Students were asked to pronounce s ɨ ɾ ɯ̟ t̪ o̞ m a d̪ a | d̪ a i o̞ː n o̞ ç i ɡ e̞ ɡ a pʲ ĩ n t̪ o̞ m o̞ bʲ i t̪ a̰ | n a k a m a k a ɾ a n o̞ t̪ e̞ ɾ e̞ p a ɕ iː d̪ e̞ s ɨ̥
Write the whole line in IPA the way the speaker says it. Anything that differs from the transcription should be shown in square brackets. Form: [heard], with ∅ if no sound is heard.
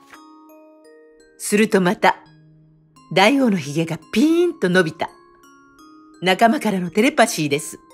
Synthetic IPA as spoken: s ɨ ɾ ɯ̟ t̪ o̞ m a [t̪] a | d̪ a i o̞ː n o̞ ç i ɡ e̞ ɡ a pʲ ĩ n t̪ o̞ [n] o̞ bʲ i t̪ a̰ | n a k a m a k a ɾ a n o̞ t̪ e̞ ɾ e̞ p a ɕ iː d̪ e̞ s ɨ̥